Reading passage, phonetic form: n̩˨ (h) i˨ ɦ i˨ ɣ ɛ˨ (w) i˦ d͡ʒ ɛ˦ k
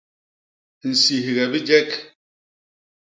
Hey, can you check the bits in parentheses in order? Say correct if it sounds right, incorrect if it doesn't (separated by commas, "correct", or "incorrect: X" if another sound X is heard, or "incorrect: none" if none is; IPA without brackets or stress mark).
incorrect: s, incorrect: b